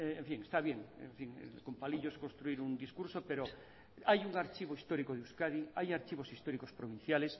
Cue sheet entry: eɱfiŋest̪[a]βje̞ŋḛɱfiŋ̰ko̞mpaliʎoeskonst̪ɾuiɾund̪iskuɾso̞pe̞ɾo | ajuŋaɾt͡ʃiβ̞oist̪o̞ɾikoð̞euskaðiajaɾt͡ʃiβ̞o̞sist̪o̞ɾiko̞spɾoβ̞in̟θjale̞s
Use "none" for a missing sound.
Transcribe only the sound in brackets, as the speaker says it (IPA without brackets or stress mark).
a